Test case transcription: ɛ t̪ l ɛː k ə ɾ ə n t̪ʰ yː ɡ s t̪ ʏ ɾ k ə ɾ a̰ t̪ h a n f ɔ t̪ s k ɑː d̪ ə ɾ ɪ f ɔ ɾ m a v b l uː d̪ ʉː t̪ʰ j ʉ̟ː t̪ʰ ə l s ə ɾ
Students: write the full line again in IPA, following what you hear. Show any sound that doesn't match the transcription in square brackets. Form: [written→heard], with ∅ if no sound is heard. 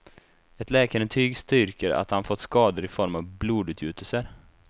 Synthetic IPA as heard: ɛ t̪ l ɛː k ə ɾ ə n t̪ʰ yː ɡ s t̪ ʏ ɾ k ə ɾ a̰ t̪ h a n f ɔ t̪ s k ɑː d̪ ə ɾ ɪ f ɔ ɾ m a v b l uː d̪ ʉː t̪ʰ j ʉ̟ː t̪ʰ ə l s ə ɾ